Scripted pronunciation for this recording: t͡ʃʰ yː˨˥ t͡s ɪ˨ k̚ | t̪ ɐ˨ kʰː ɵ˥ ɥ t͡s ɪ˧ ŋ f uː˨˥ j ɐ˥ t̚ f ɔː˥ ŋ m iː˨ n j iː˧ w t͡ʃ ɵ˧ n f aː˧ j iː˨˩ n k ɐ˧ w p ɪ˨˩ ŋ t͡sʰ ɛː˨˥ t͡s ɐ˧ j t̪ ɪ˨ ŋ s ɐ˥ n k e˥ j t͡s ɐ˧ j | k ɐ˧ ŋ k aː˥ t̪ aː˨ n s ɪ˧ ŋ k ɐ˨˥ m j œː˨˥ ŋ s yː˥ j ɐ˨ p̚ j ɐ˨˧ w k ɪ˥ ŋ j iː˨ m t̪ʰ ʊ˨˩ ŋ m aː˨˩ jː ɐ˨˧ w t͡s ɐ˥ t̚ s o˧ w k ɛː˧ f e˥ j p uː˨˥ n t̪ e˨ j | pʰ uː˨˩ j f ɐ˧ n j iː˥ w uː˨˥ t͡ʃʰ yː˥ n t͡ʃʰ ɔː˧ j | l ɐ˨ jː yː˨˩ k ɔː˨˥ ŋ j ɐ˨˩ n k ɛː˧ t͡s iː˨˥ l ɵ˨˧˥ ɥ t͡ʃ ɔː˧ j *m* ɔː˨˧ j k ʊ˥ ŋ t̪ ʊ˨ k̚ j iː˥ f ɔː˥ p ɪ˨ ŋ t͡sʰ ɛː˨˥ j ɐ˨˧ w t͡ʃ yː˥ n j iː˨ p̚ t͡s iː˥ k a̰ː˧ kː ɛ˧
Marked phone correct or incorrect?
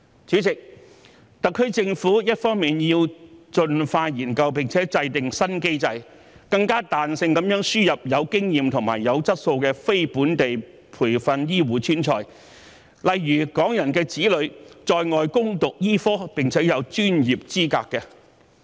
incorrect